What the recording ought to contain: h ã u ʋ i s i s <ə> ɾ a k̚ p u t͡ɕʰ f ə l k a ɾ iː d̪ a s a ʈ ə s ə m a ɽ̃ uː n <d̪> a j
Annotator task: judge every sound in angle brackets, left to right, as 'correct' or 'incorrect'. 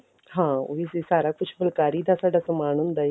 incorrect: a, correct

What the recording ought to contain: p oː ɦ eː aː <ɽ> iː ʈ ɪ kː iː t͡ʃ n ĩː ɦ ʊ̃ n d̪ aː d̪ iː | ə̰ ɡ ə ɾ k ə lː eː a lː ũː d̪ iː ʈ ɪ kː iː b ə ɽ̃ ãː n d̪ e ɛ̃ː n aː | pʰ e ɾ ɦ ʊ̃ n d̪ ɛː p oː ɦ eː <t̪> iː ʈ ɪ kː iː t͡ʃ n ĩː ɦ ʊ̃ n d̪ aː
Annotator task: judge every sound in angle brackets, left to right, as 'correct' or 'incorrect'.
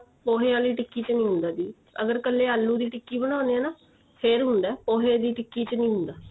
incorrect: l, incorrect: d̪

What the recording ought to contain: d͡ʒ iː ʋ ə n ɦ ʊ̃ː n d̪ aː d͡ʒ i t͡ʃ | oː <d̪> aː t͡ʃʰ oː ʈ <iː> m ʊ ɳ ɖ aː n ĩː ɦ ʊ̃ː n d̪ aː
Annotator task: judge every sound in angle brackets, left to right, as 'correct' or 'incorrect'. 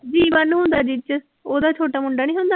correct, incorrect: aː

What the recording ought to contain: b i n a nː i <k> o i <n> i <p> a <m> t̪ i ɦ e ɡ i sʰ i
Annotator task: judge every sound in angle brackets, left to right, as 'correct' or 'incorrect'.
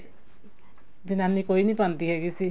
correct, correct, correct, incorrect: n

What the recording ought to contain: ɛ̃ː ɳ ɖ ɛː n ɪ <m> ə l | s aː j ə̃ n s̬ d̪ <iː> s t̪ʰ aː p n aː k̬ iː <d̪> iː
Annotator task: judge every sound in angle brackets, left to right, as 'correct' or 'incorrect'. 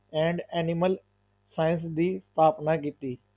correct, correct, incorrect: t̪

